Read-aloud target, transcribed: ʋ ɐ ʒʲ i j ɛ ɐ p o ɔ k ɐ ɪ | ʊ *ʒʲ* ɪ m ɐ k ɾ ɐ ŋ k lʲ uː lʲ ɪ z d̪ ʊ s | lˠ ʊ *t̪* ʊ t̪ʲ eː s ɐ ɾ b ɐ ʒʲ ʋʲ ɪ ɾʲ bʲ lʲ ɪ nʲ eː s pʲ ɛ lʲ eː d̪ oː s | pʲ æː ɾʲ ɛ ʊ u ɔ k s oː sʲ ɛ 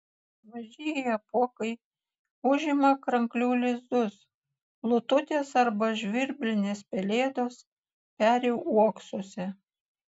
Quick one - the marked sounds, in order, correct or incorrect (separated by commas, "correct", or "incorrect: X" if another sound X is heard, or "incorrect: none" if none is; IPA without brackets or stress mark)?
correct, correct